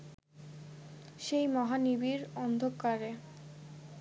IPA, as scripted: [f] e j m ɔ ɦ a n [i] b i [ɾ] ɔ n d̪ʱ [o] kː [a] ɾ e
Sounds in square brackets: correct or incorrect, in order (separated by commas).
incorrect, correct, correct, correct, correct